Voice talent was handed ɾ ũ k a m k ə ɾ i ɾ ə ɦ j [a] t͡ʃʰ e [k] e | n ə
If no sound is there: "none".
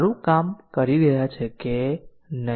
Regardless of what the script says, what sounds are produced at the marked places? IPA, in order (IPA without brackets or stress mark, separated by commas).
a, k